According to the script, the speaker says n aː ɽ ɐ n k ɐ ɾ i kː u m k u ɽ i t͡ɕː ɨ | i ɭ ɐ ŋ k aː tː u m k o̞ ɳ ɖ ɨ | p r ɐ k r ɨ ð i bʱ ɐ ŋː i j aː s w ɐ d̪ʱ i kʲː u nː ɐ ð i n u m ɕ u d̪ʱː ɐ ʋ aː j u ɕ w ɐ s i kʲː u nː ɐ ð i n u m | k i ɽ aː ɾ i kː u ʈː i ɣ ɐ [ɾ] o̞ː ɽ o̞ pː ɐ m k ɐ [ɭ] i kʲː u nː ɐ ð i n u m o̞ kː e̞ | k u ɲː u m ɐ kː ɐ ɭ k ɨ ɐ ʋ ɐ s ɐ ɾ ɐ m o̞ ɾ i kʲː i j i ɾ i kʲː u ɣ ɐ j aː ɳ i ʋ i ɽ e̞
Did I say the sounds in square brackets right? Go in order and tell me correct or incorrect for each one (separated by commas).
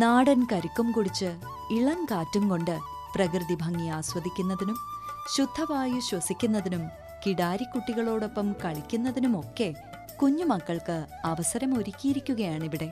incorrect, correct